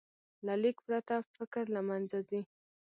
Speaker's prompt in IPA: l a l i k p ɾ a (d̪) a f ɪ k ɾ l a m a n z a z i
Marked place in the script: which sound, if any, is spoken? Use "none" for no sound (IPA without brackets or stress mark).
t̪